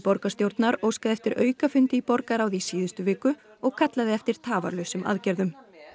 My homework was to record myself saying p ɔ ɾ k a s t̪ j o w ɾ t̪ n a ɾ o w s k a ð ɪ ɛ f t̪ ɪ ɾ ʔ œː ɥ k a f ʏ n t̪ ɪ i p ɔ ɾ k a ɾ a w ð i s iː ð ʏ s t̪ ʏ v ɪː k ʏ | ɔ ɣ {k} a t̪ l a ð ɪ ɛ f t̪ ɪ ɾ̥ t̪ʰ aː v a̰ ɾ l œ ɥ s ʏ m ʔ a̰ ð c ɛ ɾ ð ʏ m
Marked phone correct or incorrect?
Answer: incorrect